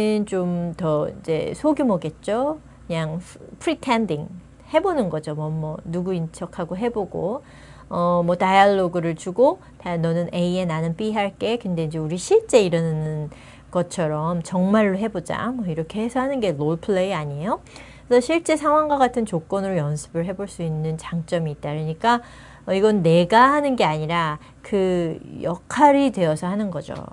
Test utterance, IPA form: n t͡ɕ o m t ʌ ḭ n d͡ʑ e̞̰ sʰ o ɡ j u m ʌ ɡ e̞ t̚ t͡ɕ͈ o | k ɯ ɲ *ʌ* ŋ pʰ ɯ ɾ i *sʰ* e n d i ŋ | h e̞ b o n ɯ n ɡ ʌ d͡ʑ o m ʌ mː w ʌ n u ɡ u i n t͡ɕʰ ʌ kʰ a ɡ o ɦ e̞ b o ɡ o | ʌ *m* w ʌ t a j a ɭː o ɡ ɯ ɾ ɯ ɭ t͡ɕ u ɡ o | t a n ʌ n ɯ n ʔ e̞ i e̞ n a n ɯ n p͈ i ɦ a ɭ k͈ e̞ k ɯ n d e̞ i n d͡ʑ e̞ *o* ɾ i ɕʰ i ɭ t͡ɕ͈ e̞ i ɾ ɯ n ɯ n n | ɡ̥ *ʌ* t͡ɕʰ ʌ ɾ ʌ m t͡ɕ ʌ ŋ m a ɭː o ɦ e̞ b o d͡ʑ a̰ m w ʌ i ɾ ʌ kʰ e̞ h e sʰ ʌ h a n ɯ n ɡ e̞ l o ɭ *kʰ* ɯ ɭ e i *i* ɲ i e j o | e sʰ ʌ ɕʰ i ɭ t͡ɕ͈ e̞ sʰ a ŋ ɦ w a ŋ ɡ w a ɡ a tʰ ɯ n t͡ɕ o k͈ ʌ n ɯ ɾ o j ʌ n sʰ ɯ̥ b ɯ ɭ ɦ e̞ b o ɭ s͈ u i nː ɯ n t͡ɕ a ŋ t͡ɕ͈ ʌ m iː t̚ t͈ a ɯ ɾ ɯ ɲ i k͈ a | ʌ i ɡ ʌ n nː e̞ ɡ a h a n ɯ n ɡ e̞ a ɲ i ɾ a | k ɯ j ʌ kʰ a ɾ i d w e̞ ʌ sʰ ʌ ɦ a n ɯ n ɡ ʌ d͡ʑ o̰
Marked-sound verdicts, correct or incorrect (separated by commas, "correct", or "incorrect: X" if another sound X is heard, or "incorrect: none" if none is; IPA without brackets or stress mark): incorrect: a, incorrect: tʰ, correct, incorrect: u, correct, incorrect: pʰ, incorrect: a